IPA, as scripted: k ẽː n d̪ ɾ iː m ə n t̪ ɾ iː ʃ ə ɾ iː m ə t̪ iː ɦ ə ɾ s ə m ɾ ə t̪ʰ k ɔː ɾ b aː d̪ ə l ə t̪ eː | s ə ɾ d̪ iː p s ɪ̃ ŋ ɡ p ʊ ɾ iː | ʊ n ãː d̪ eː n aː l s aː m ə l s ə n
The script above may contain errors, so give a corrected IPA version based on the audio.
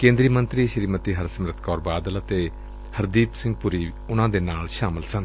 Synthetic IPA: k ẽː n d̪ ɾ iː m ə n t̪ ɾ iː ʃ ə ɾ iː m ə t̪ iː ɦ ə ɾ s ə m ɾ ə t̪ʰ k ɔː ɾ b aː d̪ ə l ə t̪ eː | h ə ɾ d̪ iː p s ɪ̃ ŋ ɡ p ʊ ɾ iː | ʊ n ãː d̪ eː n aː l ʃ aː m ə l s ə n

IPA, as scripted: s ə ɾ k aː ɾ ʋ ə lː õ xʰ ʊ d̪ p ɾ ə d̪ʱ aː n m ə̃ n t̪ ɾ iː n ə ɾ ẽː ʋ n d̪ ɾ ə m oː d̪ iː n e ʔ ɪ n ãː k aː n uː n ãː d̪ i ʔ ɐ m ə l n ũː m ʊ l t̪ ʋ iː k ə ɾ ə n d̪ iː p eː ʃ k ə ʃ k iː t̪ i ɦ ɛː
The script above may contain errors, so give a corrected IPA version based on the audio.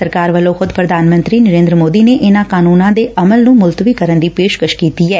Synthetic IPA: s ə ɾ k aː ɾ ʋ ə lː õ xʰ ʊ d̪ p ɾ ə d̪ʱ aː n m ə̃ n t̪ ɾ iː n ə ɾ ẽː n d̪ ɾ ə m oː d̪ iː n e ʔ ɪ n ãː k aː n uː n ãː d̪ e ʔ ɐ m ə l n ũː m ʊ l t̪ ʋ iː k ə ɾ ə n d̪ iː p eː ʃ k ə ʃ k iː t̪ i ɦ ɛː

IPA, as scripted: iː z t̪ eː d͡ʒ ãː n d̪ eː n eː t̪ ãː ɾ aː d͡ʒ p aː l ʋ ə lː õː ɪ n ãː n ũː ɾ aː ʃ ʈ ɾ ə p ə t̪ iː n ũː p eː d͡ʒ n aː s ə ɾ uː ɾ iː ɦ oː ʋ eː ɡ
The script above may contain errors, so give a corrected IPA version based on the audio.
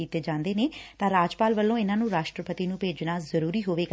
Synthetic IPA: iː t̪ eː d͡ʒ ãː n d̪ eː n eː t̪ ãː ɾ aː d͡ʒ p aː l ʋ ə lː õː ɪ n ãː n ũː ɾ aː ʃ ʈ ɾ ə p ə t̪ iː n ũː p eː d͡ʒ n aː z ə ɾ uː ɾ iː ɦ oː ʋ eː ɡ

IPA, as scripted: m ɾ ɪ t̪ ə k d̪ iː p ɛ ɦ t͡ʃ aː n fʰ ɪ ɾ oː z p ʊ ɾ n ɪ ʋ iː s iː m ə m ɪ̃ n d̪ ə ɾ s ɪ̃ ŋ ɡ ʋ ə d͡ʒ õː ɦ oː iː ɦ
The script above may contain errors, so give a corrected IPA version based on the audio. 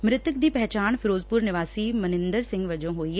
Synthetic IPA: m ɾ ɪ t̪ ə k d̪ iː p ɛ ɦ t͡ʃ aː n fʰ ɪ ɾ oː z p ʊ ɾ n ɪ ʋ aː s iː m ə n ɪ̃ n d̪ ə ɾ s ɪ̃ ŋ ɡ ʋ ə d͡ʒ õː ɦ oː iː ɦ

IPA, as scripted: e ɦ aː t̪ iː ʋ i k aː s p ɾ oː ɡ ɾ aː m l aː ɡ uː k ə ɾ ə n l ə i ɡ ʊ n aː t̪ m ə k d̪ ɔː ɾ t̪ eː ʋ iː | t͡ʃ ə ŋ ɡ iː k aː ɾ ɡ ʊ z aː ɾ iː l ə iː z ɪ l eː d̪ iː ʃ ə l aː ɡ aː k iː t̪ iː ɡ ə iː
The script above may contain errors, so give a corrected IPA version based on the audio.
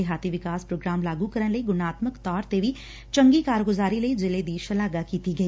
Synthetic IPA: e ɦ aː t̪ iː ʋ ɪ k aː s p ɾ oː ɡ ɾ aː m l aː ɡ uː k ə ɾ ə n l ə i ɡ ʊ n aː t̪ m ə k t̪ ɔː ɾ t̪ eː ʋ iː | t͡ʃ ə ŋ ɡ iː k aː ɾ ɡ ʊ z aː ɾ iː l ə iː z ɪ l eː d̪ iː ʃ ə l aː ɡ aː k iː t̪ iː ɡ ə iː

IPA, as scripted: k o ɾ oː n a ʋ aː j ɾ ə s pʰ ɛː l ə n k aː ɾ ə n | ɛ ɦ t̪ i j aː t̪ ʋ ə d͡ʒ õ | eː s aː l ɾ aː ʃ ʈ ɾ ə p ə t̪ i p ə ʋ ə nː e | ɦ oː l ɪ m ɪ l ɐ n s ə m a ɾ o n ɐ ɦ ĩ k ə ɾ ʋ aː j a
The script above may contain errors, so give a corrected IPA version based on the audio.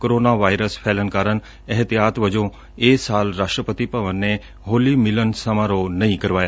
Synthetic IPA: k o ɾ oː n a ʋ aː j ɾ ə s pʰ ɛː l ə n k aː ɾ ə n | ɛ ɦ t̪ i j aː t̪ ʋ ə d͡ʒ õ | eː s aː l ɾ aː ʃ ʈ ɾ ə p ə t̪ i p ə ʋ ə nː e | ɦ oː l i m ɪ l ə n s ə m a ɾ o n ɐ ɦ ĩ k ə ɾ ʋ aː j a

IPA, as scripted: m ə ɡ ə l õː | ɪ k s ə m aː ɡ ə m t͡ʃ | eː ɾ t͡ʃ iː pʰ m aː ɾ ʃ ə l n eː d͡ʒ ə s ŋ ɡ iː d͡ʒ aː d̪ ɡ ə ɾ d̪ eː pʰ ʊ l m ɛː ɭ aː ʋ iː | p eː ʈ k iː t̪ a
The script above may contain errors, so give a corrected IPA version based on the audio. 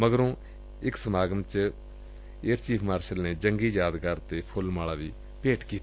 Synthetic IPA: m ə ɡ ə ɾ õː | ɪ k s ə m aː ɡ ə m t͡ʃ | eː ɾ t͡ʃ iː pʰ m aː ɾ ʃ ə l n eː d͡ʒ ə ŋ ɡ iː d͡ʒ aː d̪ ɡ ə ɾ t̪ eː pʰ ʊ l m aː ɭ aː ʋ iː | p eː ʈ k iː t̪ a

